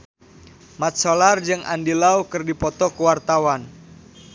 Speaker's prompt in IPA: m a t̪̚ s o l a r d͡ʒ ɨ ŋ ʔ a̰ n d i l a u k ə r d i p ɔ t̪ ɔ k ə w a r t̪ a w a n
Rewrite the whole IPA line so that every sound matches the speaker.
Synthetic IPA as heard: m a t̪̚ s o l a r d͡ʒ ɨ ŋ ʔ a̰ n d i l a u k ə r d i p ɔ t̪ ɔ k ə w a r t̪ a w a n